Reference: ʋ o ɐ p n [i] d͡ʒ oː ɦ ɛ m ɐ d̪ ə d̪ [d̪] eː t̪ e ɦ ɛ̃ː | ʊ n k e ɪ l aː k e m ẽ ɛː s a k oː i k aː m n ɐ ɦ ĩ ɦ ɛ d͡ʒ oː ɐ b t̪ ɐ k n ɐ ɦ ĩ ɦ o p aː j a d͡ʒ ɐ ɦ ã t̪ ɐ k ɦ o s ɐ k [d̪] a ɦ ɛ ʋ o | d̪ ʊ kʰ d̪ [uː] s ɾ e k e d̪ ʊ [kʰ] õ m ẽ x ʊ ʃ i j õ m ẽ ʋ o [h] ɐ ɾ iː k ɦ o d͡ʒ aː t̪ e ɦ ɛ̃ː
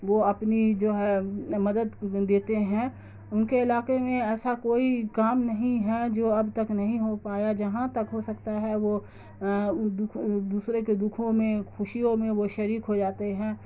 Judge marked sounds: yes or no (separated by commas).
yes, yes, no, yes, yes, no